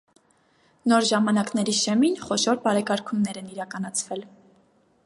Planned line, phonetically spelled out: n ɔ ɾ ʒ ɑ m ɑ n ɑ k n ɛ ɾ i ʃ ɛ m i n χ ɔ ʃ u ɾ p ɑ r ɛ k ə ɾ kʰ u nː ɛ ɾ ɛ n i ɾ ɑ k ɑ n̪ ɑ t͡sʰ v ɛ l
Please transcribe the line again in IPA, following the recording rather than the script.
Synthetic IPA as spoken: n ɔ ɾ ʒ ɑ m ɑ n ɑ k n ɛ ɾ i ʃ ɛ m i n χ ɔ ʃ ɔ ɾ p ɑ ɾ ɛ k ɑ ɾ kʰ u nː ɛ ɾ ɛ n i ɾ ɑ k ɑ n̪ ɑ t͡sʰ v ɛ l